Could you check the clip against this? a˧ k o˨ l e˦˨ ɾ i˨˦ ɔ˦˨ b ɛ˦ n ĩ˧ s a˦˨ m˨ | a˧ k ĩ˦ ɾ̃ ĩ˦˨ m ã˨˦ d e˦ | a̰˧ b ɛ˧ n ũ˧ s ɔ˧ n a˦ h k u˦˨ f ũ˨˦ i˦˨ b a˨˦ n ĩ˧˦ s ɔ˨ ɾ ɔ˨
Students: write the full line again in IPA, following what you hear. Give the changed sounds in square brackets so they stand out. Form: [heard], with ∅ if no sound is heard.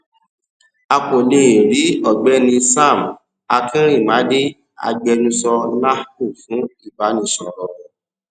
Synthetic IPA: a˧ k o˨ l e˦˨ ɾ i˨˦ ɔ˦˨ [ɡ͡b] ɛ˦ n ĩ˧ s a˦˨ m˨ | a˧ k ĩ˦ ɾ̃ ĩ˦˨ m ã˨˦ d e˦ | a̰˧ [ɡ͡b] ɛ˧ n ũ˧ s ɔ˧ n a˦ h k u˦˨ f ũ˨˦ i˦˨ b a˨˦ n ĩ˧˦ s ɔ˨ ɾ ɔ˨